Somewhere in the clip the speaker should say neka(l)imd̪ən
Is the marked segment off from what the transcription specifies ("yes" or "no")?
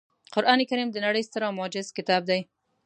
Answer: yes